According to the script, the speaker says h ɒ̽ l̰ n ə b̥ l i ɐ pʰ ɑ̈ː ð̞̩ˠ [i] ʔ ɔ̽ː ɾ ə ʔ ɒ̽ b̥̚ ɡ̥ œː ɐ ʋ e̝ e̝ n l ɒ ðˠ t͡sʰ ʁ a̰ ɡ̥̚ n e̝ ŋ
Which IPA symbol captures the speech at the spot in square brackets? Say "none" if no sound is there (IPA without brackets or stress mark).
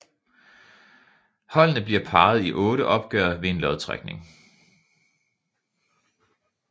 i